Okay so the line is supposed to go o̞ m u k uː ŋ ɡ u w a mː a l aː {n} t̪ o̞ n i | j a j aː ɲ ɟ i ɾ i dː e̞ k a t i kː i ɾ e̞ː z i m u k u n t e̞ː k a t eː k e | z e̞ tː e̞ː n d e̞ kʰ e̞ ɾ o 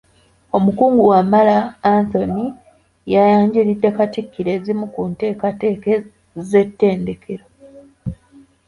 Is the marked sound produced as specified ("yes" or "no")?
yes